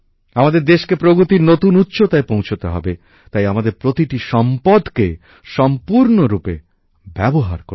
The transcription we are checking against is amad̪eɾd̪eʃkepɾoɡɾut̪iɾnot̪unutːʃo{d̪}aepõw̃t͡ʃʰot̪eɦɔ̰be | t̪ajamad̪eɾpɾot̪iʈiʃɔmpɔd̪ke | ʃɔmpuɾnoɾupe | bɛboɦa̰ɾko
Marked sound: incorrect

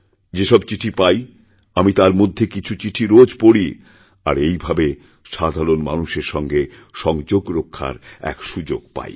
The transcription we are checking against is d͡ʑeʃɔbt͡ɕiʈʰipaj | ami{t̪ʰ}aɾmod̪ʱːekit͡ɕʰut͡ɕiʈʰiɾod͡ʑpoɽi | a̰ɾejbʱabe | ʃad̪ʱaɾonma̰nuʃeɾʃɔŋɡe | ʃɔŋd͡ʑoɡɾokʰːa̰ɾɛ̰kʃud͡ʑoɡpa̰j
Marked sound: incorrect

